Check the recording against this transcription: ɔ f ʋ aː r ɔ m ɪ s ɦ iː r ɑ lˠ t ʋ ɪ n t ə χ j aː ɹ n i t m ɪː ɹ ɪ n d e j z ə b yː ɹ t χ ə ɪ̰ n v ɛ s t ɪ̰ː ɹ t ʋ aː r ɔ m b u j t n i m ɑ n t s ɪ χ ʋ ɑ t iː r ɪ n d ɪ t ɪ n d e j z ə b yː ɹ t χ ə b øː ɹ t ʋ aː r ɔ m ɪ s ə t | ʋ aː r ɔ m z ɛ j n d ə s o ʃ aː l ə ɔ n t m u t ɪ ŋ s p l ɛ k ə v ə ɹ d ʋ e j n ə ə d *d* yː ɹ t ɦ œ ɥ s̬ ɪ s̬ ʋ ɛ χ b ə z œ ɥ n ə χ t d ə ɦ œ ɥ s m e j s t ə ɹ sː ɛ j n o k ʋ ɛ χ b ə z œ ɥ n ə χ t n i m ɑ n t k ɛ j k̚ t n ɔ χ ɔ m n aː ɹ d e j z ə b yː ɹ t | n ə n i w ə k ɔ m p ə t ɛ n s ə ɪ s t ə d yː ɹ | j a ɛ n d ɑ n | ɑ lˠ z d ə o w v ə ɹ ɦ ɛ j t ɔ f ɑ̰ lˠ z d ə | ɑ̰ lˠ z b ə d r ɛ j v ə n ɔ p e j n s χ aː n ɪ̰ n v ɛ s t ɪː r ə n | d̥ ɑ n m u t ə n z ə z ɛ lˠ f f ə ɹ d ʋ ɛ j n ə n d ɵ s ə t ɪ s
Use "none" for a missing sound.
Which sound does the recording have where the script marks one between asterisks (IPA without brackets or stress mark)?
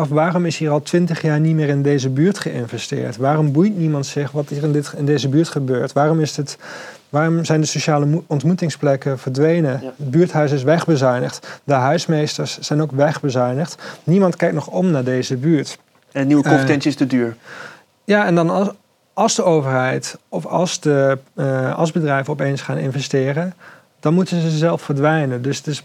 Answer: b